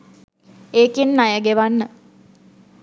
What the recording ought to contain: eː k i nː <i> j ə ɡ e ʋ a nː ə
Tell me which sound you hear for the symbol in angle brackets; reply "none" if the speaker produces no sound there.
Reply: a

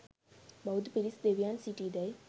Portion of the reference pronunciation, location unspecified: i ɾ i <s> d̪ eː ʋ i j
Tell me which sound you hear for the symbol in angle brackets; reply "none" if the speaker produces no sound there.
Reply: s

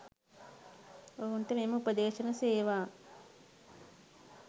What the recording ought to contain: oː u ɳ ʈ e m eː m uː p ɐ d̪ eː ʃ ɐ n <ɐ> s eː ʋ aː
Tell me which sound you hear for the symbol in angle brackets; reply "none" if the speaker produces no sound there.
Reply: ɐ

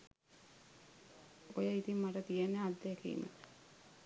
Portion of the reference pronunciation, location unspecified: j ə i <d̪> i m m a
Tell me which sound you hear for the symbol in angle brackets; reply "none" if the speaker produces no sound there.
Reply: t̪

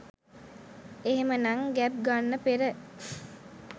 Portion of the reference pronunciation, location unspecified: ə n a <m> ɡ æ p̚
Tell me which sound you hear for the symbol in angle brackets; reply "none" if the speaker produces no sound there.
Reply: ŋ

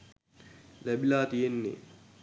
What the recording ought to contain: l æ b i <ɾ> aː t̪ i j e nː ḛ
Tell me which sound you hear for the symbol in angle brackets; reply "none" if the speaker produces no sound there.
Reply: l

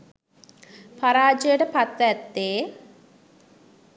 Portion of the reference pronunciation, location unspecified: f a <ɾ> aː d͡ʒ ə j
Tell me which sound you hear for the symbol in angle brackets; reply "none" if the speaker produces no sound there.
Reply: ɾ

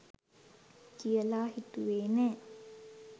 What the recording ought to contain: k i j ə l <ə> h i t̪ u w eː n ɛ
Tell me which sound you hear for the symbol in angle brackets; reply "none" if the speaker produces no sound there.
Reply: a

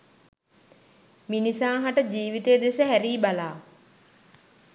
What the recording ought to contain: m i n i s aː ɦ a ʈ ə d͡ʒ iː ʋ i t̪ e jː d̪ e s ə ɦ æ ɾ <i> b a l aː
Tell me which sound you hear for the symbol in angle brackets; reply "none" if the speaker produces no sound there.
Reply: iː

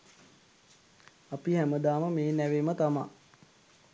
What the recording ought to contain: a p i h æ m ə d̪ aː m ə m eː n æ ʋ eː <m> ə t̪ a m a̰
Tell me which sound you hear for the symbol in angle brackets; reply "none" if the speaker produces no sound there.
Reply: m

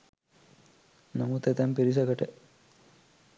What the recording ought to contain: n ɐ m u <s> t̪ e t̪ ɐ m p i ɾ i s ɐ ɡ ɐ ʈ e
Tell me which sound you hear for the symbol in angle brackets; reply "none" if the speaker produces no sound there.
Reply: none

